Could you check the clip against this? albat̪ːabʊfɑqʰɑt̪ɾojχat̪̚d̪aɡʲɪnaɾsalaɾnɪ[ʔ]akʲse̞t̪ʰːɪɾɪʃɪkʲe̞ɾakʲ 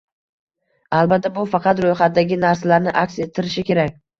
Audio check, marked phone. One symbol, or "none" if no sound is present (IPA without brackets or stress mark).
ʔ